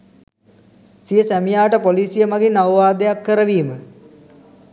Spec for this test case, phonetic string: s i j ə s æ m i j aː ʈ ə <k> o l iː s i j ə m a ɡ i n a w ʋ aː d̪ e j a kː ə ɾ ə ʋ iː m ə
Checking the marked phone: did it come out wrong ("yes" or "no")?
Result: yes